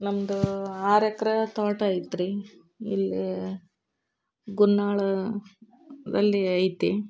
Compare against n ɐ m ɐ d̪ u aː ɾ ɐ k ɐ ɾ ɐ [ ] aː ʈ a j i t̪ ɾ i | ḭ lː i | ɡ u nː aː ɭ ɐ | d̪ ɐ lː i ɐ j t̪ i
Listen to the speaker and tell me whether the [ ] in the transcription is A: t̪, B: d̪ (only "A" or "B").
A